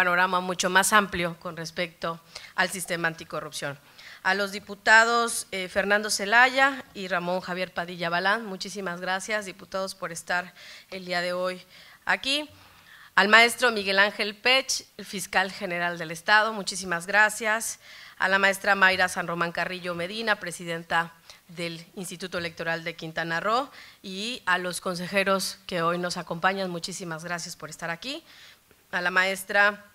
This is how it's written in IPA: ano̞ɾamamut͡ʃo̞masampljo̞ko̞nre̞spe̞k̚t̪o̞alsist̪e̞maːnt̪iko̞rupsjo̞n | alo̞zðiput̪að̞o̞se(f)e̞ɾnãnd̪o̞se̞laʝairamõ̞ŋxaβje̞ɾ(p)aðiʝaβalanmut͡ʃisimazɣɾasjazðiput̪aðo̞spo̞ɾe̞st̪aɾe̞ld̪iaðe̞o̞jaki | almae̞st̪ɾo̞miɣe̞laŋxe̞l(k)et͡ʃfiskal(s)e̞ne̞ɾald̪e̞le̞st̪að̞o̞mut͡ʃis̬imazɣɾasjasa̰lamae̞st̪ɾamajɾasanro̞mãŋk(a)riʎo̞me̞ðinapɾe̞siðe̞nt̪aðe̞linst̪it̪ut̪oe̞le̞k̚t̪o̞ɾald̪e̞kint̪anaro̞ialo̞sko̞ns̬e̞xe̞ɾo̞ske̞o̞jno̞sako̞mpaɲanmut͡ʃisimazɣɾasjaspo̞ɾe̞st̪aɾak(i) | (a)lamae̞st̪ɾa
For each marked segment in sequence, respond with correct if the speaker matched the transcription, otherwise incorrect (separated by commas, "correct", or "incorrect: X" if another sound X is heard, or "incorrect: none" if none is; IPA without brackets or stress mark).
correct, correct, incorrect: p, incorrect: x, correct, correct, correct